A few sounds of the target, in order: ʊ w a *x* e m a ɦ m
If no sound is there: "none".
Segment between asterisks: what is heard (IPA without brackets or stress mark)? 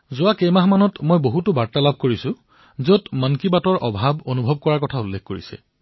k